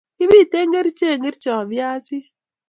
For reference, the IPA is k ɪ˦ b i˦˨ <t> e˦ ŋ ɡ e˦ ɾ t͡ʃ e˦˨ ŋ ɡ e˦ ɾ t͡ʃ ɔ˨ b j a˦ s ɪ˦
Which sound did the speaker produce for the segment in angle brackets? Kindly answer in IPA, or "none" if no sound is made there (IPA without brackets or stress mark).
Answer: t